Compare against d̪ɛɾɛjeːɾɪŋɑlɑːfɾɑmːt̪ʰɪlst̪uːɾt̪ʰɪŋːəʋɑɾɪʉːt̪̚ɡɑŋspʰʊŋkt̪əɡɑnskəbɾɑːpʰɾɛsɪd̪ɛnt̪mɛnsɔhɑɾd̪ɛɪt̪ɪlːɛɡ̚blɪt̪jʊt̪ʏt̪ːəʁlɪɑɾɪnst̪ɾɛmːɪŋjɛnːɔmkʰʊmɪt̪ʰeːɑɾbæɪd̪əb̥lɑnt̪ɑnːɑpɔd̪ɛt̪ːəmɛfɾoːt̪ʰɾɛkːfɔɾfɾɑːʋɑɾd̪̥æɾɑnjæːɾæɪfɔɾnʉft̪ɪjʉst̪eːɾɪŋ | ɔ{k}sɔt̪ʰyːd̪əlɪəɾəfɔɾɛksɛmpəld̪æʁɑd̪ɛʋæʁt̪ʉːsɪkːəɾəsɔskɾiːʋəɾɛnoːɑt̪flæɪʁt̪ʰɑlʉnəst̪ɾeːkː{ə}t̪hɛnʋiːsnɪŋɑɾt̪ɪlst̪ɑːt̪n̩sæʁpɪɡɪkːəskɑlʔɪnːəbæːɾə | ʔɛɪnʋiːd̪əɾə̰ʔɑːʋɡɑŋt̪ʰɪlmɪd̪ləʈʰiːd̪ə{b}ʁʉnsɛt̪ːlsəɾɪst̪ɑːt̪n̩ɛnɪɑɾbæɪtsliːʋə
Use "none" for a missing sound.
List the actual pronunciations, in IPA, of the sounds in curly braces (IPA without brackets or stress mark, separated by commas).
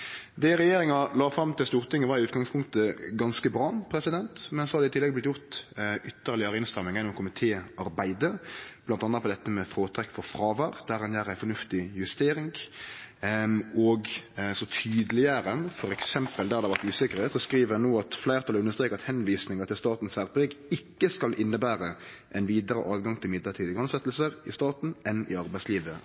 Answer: ɡ, ɑ, ɡ